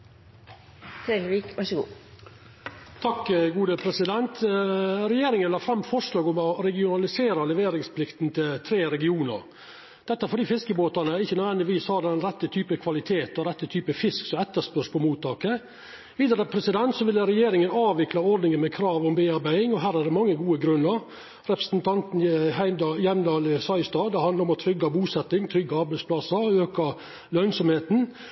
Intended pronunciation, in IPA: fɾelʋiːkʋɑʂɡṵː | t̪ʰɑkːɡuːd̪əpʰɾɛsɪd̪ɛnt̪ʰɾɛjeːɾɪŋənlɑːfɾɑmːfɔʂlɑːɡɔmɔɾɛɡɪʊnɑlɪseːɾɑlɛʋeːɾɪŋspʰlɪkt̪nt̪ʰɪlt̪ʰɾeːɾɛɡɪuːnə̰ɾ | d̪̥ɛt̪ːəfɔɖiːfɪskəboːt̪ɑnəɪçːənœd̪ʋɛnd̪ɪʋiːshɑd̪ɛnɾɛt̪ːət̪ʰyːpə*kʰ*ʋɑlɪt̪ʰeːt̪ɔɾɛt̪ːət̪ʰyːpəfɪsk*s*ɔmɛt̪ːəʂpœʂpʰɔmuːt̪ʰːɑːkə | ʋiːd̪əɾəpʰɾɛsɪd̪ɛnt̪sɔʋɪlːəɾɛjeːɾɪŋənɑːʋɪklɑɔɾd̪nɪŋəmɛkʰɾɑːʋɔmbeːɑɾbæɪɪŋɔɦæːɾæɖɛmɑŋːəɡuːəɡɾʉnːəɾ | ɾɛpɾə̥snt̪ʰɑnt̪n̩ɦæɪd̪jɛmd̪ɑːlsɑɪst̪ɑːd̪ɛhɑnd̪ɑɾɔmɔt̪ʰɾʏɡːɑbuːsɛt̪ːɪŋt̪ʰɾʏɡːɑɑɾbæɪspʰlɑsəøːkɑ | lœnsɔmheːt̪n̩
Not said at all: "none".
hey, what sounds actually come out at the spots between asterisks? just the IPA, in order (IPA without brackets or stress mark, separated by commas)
kʰ, s